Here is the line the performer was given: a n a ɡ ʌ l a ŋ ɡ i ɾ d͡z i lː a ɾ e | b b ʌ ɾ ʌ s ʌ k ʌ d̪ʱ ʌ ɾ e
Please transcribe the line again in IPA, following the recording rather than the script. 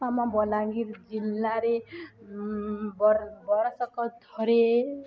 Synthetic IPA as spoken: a m a b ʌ l a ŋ ɡ i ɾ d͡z i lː a ɾ e | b b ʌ ɾ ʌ s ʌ k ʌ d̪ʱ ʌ ɾ e